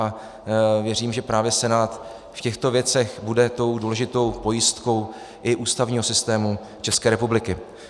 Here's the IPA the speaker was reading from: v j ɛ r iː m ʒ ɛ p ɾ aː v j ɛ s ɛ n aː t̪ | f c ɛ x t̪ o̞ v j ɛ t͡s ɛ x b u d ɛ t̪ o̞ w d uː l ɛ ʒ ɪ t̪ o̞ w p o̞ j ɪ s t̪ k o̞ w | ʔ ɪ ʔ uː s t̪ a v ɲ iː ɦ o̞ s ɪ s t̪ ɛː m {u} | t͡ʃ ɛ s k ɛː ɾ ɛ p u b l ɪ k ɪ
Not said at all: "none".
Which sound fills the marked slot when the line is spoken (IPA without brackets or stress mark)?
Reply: u